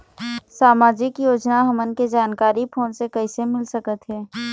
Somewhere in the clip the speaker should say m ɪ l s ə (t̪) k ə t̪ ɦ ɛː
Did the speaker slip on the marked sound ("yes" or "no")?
yes